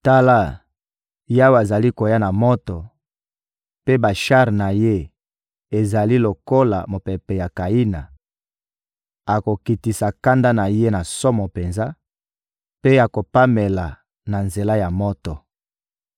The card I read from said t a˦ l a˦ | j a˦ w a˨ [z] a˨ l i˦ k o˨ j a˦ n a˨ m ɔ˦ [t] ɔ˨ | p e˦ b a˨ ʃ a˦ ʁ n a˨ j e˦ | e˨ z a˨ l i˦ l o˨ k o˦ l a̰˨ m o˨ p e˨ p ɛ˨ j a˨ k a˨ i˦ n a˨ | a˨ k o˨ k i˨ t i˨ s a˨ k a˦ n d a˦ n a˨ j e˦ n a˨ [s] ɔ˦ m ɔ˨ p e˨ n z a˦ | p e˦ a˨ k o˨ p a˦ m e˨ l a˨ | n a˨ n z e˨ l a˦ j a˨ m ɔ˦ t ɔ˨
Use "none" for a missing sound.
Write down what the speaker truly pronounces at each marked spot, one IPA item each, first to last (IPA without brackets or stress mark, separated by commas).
z, t, s